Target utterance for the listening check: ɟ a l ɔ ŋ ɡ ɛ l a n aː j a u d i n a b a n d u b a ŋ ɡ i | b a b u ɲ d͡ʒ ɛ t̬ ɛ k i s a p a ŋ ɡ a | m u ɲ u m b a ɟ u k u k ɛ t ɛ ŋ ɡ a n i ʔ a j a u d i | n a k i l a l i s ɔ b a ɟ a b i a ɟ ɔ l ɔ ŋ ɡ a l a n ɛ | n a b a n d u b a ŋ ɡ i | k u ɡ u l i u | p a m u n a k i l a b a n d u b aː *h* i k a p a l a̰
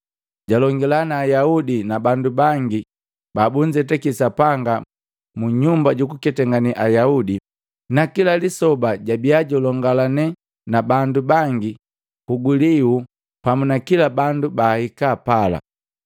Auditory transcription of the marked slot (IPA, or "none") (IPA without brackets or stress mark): h